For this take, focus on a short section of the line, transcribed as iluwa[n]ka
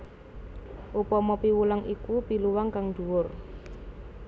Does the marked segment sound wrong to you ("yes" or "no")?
yes